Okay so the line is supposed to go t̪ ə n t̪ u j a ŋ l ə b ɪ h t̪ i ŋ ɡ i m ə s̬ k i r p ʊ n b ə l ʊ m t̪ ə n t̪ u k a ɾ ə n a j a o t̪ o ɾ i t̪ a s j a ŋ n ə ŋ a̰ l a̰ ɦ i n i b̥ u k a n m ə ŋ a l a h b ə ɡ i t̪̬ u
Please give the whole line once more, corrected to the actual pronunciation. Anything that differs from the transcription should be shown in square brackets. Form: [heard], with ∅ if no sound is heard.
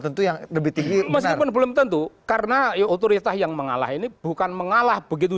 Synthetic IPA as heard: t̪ ə n t̪ u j a ŋ l ə b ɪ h t̪ i ŋ ɡ i m ə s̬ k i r p ʊ n b ə l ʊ m t̪ ə n t̪ u k a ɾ ə n a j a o t̪ o ɾ i t̪ a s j a ŋ [m] ə ŋ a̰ l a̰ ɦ i n i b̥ u k a n m ə ŋ a l a h b ə ɡ i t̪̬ u